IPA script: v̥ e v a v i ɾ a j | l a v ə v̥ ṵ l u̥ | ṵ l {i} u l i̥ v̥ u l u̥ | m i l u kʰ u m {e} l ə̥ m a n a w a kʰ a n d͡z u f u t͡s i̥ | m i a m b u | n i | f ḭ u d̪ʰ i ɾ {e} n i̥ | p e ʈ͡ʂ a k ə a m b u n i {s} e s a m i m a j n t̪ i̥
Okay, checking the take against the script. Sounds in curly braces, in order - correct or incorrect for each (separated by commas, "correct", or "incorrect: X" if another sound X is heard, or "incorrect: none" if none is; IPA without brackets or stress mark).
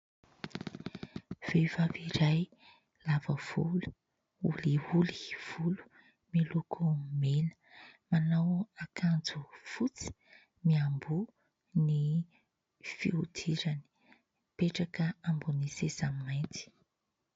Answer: correct, correct, incorrect: a, correct